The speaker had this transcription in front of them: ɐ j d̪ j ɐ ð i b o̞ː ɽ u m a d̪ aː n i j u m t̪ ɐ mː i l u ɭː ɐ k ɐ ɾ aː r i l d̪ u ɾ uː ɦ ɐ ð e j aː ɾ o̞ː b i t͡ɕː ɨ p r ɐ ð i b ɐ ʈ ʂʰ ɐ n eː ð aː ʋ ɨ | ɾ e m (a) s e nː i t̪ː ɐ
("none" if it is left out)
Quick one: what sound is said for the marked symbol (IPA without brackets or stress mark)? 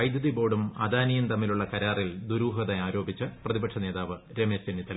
e